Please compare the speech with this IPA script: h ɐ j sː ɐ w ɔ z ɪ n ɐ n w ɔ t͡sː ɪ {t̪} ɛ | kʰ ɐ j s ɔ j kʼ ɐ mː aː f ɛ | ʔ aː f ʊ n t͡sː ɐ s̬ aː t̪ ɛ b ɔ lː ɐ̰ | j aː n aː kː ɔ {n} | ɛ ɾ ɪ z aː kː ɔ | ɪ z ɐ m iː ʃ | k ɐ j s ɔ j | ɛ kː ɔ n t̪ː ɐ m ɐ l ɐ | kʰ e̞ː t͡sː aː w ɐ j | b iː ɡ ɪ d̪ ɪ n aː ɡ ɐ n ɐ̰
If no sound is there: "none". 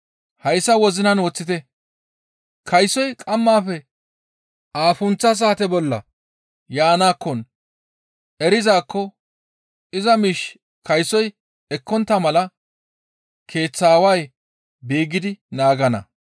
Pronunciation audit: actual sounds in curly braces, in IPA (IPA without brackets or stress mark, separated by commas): t̪, n